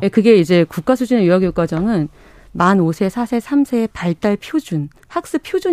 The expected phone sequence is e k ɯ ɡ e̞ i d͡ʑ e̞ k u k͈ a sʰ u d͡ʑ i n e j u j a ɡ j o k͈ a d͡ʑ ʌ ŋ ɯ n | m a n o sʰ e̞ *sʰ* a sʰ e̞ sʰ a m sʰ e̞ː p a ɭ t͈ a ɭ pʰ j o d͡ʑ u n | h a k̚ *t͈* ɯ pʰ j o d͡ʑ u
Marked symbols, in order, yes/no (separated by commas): yes, no